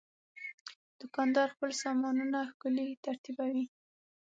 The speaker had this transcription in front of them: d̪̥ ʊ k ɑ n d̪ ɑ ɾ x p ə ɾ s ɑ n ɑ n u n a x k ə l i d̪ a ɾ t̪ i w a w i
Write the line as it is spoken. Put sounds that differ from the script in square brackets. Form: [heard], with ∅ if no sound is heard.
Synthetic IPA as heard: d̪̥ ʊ k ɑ n d̪ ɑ ɾ x p ə [l] s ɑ [m] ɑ n u n a x k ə l i [t̪] a ɾ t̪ i [b] a w i